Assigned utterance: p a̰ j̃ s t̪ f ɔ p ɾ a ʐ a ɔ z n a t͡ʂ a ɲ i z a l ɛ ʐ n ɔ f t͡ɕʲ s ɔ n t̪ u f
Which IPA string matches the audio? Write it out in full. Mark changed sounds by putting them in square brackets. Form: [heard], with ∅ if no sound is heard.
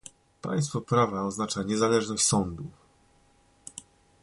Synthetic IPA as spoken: p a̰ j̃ s t̪ f ɔ p ɾ a [v] a ɔ z n a t͡ʂ a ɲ [ɛ] z a l ɛ ʐ n ɔ [ɕ] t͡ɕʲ s ɔ n [d̪] u f